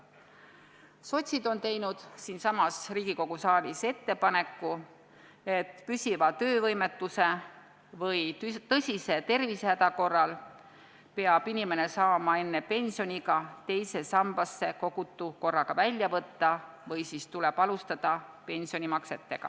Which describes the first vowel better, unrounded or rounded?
rounded